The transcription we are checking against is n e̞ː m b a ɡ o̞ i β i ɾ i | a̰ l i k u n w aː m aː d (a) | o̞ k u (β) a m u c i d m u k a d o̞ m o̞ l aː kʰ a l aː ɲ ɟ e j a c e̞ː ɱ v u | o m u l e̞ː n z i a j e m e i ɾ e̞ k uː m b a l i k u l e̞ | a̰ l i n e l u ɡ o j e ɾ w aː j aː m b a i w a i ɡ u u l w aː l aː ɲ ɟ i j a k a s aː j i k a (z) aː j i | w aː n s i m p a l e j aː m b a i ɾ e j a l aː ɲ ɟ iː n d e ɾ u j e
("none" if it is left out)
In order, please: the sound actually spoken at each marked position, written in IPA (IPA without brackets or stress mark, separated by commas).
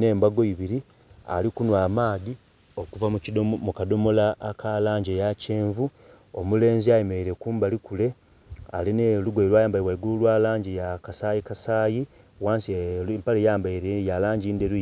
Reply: i, v, s